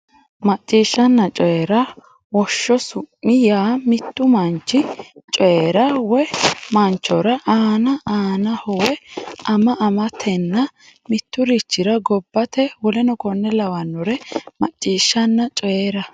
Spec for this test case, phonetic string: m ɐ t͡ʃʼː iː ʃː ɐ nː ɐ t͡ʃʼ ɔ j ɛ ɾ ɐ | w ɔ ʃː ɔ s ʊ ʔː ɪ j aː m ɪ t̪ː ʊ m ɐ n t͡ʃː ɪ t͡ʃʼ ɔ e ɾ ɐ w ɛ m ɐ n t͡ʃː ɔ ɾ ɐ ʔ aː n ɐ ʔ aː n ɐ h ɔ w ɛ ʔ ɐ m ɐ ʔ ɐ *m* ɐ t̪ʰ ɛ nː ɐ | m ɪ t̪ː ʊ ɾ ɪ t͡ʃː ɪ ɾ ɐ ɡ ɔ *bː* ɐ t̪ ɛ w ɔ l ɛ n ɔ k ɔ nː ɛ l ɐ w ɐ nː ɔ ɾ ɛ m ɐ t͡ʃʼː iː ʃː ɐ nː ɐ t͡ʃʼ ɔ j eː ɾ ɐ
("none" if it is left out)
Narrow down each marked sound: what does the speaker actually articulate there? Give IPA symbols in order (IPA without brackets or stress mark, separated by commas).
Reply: m, bː